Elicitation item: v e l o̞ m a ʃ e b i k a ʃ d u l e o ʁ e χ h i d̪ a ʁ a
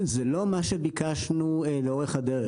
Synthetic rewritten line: z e l o̞ m a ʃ e b i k a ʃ n u l e o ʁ e χ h a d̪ e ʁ e